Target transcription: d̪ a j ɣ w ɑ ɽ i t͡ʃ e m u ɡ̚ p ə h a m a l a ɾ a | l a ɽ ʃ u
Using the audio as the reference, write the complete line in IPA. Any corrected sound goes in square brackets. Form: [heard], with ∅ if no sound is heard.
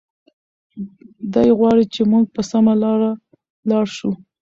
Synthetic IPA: d̪ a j ɣ w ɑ ɽ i t͡ʃ e m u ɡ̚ p ə [s] a m a l [ɑ] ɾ a | l [ɑ] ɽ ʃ u